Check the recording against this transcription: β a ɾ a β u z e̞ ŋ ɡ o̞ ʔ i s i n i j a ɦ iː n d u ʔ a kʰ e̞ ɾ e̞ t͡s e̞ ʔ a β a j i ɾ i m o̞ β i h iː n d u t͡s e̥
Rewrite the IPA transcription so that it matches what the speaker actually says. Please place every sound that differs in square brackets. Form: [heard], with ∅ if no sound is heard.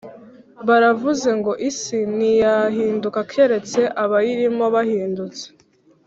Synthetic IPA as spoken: β a ɾ a [v] u z e̞ ŋ ɡ o̞ ʔ i s i n i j a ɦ iː n d u [k] a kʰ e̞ ɾ e̞ t͡s e̞ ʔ a β a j i ɾ i m o̞ β [a] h iː n d u t͡s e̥

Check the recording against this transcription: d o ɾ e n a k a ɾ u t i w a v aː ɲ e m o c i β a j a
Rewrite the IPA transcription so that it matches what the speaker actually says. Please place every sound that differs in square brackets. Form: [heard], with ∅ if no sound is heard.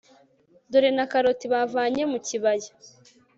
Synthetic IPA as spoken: d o ɾ e n a k a ɾ [o] t i [β] a v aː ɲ e m [u] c i β a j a

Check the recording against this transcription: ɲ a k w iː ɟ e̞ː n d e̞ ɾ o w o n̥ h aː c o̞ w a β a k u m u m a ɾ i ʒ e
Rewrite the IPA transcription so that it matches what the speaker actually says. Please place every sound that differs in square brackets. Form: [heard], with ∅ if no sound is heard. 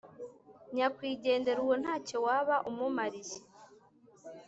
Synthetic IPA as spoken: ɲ a k w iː ɟ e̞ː n d e̞ ɾ [u] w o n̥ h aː c o̞ w a β a [ʔ] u m u m a ɾ i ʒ e

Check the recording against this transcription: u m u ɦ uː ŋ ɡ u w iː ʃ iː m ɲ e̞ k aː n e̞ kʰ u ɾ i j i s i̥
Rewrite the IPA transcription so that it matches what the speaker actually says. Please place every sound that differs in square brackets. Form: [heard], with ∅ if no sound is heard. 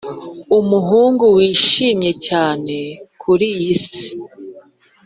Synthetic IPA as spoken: u m u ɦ uː ŋ ɡ u w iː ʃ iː m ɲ e̞ [c] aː n e̞ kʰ u ɾ i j i s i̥

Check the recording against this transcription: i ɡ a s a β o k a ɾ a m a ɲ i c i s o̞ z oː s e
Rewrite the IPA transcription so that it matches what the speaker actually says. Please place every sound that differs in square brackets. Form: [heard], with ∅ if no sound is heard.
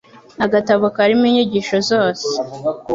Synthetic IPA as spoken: [a] ɡ a [t] a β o k a ɾ [i] m [i] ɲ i [ɟ] i [ʃ] o̞ z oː s e

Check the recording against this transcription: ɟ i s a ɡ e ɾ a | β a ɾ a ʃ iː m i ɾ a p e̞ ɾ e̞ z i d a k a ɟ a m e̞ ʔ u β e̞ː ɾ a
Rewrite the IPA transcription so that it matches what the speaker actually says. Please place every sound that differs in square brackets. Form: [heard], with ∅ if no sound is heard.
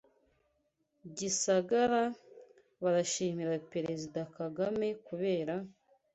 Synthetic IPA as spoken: ɟ i s a ɡ [a] ɾ a | β a ɾ a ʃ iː m i ɾ a p e̞ ɾ e̞ z i d a k a [ɡ] a m e̞ [k] u β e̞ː ɾ a

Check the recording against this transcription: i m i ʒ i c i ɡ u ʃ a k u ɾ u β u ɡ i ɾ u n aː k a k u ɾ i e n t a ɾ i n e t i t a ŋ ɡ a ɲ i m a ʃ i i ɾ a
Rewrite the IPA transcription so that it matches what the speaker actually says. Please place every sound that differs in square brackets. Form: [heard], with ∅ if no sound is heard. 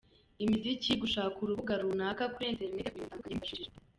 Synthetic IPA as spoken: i m i [z] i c i ɡ u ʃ a k u ɾ u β u ɡ [a] ɾ u n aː k a k u ɾ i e n t [e] ɾ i n e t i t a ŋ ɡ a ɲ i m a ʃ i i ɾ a

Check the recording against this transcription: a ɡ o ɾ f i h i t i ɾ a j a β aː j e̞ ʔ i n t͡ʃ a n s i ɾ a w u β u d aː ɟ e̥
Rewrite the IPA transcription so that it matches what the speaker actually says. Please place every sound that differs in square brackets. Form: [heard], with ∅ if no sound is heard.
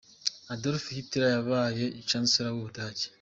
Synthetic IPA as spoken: a [d] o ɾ f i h i t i ɾ a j a β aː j e̞ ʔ i [∅] t͡ʃ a n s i ɾ a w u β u d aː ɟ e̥

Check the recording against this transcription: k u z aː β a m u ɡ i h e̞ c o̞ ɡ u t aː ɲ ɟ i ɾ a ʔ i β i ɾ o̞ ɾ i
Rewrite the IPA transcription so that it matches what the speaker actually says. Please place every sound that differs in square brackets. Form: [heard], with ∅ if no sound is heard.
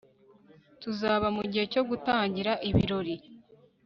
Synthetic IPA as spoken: [t] u z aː β a m u [ɟ] i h e̞ c o̞ ɡ u t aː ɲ ɟ i ɾ a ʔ i β i ɾ o̞ ɾ i

